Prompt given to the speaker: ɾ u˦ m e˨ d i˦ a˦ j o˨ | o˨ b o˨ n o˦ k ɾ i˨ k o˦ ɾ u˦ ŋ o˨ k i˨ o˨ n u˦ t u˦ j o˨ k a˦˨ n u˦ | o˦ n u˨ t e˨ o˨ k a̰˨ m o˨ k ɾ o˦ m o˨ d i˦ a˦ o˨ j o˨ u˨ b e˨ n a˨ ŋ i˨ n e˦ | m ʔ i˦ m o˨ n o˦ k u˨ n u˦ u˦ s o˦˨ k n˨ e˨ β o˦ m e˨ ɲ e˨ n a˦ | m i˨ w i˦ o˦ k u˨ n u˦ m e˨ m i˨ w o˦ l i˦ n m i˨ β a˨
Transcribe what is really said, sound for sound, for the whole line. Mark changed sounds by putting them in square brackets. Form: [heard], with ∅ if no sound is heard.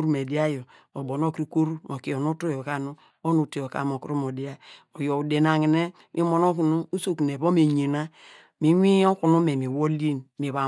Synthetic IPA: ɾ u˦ m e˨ d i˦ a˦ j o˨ | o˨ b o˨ n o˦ k ɾ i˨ k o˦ ɾ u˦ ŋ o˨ k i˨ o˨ n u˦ t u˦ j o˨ k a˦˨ n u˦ | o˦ n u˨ t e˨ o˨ k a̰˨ m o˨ k ɾ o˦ m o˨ d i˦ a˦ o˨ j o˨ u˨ [d] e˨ n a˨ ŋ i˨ n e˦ | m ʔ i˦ m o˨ n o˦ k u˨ n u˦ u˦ s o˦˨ k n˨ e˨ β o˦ m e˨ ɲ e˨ n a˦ | m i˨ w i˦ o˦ k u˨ n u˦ m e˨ m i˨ w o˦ l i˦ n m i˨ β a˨